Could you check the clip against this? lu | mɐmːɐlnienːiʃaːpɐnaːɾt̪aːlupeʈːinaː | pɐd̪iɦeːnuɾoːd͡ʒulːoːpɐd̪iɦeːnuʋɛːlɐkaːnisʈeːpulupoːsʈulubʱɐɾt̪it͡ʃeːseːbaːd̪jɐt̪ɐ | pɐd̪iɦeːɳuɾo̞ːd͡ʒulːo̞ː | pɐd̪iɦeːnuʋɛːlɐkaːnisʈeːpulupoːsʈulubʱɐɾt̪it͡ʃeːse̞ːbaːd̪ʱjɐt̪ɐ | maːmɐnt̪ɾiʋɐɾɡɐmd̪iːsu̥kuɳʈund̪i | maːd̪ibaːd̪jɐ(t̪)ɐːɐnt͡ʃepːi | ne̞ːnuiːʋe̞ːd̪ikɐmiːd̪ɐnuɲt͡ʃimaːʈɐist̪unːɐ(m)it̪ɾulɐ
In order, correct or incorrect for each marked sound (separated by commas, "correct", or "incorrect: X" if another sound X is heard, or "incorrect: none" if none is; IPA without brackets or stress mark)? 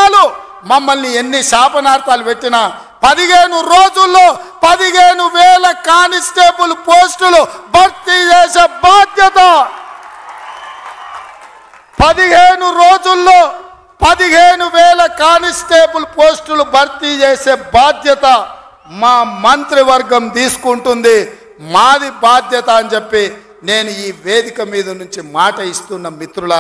correct, correct